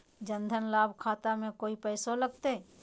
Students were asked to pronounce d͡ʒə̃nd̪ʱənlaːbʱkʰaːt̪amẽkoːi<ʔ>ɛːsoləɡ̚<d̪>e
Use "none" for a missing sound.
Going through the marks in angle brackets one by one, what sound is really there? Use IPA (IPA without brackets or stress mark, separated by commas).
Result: p, t̪